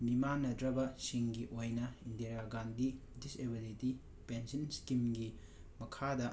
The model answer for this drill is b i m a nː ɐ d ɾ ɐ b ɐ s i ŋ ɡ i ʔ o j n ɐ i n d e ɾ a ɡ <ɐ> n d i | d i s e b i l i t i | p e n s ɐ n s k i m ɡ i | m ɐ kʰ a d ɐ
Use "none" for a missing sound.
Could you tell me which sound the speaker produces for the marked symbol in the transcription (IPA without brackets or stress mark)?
a